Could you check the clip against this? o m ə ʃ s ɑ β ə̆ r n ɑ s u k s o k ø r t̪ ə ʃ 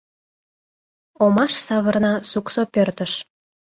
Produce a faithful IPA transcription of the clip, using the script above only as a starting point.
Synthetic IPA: o m ɑ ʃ s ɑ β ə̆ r n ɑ s u k s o p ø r t̪ ə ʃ